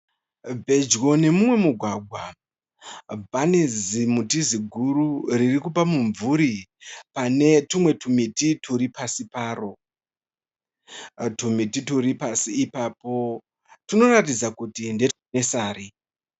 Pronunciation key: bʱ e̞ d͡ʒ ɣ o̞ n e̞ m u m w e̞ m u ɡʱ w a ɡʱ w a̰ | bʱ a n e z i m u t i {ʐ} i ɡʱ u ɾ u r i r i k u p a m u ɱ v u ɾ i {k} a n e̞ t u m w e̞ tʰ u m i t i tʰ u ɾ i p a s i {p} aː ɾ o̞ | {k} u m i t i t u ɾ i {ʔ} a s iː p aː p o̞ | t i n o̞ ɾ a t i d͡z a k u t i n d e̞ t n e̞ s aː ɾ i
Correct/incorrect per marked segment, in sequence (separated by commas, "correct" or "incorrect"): incorrect, incorrect, correct, incorrect, incorrect